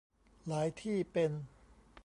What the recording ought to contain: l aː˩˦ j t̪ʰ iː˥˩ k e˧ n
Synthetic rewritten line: l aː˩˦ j t̪ʰ iː˥˩ p e˧ n